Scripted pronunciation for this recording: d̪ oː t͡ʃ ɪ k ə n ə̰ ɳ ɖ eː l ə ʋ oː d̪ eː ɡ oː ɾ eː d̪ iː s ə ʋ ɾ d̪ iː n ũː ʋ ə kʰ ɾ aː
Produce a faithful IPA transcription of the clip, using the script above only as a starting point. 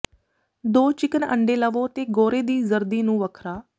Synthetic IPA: d̪ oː t͡ʃ ɪ k ə n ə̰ ɳ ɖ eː l ə ʋ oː t̪ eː ɡ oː ɾ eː d̪ iː z ə ɾ d̪ iː n ũː ʋ ə kʰ ɾ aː